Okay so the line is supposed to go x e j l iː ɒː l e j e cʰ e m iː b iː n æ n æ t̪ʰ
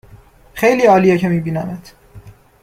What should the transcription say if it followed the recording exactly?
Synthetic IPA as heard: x e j l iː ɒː l i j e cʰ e m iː b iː n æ m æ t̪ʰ